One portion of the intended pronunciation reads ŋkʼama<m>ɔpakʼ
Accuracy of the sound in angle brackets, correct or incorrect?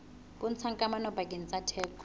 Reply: incorrect